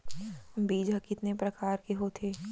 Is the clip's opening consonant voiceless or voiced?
voiced